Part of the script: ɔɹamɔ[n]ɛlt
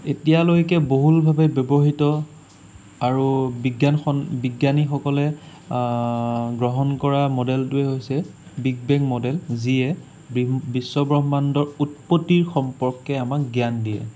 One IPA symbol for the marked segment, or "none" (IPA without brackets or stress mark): d